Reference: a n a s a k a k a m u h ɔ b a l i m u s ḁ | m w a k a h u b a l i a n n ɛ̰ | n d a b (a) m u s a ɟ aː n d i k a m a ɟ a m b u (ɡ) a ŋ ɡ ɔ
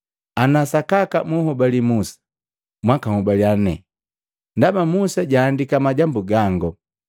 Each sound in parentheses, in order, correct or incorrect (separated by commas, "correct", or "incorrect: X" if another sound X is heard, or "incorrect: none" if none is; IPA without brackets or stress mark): correct, correct